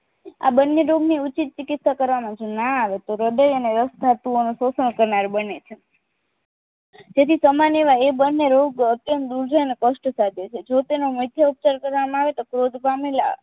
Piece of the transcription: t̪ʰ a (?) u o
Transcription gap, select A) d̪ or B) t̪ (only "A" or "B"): B